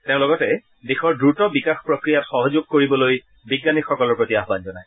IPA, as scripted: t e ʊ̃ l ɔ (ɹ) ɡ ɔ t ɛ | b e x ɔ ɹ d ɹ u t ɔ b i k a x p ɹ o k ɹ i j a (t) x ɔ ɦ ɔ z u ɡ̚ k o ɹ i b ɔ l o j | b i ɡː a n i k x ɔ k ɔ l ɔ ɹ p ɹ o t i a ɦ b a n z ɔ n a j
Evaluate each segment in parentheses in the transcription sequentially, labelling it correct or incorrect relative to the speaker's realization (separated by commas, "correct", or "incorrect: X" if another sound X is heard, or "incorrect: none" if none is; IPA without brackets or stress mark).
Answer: incorrect: none, correct